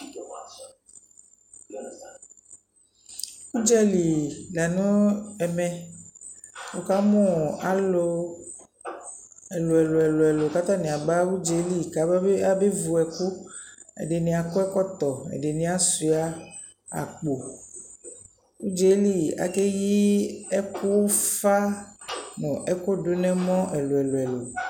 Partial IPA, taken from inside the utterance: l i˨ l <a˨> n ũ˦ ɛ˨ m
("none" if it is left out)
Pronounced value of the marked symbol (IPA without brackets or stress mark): a˨